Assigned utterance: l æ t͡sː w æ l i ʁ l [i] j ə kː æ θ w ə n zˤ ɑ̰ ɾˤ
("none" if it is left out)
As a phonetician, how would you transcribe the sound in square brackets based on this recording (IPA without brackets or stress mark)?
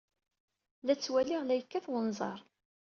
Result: æ